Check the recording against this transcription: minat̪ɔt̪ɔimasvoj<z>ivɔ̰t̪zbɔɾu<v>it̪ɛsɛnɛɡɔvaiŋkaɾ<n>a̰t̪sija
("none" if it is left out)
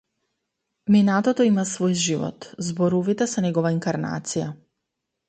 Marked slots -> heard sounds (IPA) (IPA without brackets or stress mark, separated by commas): ʒ, v, n